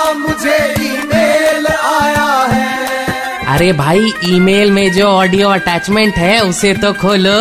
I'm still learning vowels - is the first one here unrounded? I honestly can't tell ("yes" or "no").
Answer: no